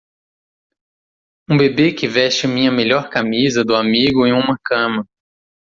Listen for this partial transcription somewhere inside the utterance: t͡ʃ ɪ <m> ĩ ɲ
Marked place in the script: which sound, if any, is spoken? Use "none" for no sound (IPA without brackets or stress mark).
m